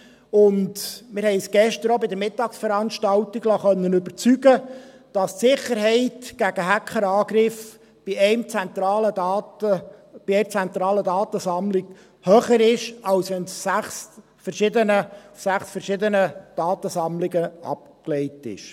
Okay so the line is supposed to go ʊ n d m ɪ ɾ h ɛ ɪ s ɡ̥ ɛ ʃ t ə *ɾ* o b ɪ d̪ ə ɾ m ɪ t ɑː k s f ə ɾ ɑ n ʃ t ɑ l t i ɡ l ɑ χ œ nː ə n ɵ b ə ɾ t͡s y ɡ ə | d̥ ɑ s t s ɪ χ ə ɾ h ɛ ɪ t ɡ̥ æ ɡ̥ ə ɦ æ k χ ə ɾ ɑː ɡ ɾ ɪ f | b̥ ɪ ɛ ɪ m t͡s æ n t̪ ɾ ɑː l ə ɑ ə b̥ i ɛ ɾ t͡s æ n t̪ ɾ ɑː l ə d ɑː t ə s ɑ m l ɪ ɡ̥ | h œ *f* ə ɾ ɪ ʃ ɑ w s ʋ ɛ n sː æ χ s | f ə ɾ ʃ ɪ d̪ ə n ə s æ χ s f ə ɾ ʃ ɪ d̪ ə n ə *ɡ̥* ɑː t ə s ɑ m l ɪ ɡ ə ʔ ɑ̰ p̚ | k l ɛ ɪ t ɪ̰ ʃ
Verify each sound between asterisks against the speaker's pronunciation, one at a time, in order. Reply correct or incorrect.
correct, incorrect, incorrect

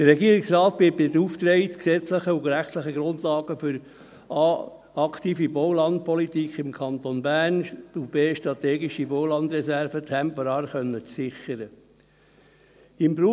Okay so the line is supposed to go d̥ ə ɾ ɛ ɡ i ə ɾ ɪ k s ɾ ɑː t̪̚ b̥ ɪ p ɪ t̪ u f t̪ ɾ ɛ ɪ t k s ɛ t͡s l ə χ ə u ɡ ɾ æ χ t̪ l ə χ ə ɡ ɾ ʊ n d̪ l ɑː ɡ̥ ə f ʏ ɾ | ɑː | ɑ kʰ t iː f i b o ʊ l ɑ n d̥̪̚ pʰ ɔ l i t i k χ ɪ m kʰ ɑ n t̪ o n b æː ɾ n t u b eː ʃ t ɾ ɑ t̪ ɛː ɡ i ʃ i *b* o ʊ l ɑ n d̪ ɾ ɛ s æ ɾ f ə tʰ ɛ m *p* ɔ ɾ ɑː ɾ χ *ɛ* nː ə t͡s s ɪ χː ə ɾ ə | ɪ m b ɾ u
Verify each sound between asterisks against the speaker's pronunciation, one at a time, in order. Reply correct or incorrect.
correct, correct, incorrect

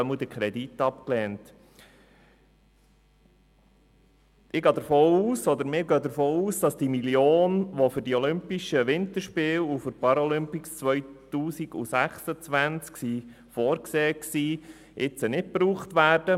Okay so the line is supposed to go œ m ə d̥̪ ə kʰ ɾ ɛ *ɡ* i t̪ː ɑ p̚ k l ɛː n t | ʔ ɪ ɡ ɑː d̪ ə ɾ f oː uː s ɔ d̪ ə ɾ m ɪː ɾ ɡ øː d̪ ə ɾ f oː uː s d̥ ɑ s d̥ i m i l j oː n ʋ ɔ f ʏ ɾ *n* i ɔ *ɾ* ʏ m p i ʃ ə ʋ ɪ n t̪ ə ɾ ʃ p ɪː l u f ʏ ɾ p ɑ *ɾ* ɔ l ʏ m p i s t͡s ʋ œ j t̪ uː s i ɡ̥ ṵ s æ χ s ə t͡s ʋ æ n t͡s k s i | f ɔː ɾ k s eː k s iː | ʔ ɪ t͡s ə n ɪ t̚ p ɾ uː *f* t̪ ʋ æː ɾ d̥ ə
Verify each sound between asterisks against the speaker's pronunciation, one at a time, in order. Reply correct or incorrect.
incorrect, incorrect, incorrect, correct, incorrect

